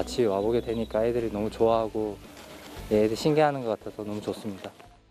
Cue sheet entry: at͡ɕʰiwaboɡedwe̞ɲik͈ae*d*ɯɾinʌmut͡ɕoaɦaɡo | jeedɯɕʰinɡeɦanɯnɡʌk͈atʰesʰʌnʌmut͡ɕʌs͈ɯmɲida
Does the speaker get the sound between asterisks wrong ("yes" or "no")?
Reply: no